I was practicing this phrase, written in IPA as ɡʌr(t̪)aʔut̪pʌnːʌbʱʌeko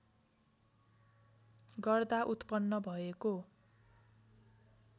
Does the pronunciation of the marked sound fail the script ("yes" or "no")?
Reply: yes